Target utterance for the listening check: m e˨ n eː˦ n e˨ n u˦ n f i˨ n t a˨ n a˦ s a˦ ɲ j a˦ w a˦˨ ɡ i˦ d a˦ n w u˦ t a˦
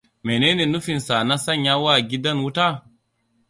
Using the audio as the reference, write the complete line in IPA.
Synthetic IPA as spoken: m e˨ n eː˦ n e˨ n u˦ f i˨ n s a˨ n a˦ s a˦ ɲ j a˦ w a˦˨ ɡ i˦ d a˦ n w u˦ t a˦

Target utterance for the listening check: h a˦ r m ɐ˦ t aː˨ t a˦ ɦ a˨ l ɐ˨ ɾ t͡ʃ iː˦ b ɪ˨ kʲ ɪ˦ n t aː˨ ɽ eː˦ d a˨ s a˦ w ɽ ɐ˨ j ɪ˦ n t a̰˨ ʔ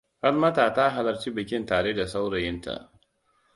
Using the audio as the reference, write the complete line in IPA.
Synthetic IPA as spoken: h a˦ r m ɐ˦ t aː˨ t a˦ ɦ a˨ l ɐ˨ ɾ t͡ʃ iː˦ b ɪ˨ kʲ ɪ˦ n t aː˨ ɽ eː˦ d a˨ s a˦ w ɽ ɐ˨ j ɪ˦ n t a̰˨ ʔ

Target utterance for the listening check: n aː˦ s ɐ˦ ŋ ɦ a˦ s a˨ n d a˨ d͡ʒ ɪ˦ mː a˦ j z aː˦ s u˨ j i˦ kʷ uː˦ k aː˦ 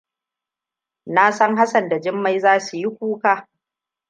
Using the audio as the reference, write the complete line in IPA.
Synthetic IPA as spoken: n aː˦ s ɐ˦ ŋ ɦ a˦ s ɐ˨ n d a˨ d͡ʒ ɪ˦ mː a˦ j z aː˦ s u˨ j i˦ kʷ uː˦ k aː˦

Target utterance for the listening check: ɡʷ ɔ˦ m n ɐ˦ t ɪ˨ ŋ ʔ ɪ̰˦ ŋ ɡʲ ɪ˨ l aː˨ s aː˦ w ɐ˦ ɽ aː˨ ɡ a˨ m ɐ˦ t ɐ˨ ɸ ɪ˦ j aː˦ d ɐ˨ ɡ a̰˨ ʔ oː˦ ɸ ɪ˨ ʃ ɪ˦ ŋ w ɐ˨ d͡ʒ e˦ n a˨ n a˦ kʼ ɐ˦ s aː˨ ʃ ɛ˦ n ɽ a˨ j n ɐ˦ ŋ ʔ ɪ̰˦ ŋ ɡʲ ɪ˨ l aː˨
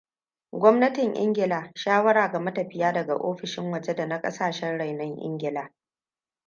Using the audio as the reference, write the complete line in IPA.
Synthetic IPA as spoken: ɡʷ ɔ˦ m n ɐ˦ t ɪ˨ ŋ ʔ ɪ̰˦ ŋ ɡʲ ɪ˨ l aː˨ ʃ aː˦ w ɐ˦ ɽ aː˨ ɡ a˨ m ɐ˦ t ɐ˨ ɸ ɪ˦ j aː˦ d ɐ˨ ɡ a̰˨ ʔ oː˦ ɸ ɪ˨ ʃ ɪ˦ ŋ w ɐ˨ d͡ʒ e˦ d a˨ n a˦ kʼ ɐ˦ s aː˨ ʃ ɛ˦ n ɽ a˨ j n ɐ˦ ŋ ʔ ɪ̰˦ ŋ ɡʲ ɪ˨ l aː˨

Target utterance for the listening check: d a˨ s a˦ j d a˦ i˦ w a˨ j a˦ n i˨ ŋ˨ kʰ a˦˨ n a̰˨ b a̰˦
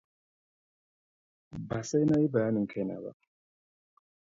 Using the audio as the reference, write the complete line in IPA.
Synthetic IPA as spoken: b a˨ s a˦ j n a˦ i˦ b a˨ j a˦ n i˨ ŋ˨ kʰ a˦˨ n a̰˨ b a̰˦

